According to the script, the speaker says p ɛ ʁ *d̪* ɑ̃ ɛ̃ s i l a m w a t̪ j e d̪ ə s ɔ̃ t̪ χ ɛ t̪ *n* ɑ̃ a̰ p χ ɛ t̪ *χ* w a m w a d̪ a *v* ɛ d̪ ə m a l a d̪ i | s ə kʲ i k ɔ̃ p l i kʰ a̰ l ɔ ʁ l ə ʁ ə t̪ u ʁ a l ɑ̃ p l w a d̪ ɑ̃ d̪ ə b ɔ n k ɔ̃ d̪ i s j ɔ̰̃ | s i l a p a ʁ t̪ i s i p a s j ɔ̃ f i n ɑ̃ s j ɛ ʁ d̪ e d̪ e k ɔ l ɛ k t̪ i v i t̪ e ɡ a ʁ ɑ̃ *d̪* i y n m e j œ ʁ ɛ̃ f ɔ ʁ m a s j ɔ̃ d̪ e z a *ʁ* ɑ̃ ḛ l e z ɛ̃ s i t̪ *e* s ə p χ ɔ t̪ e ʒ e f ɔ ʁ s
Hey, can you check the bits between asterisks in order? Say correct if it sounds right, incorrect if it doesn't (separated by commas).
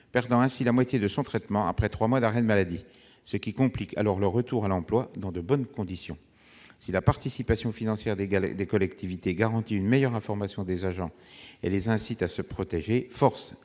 correct, incorrect, correct, incorrect, incorrect, incorrect, incorrect